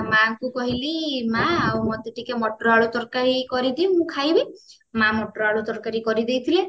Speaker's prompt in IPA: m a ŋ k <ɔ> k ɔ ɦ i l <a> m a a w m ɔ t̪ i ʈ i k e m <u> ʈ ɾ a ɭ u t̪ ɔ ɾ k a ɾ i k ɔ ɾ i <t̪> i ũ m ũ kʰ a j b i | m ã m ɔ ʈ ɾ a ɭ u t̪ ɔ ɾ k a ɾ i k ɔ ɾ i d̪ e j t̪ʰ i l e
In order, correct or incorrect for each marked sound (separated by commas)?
incorrect, incorrect, incorrect, incorrect